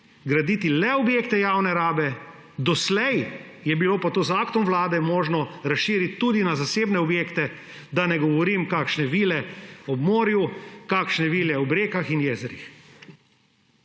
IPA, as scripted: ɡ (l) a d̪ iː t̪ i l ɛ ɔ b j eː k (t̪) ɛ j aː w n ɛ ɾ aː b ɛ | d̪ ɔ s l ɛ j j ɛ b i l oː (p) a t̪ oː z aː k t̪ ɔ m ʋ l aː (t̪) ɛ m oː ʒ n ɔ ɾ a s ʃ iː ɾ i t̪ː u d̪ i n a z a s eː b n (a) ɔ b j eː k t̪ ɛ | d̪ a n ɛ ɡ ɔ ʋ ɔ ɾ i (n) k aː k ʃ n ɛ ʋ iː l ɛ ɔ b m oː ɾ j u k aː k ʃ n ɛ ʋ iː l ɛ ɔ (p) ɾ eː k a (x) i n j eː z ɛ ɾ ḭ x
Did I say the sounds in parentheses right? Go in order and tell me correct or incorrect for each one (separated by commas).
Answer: incorrect, correct, correct, incorrect, incorrect, incorrect, incorrect, correct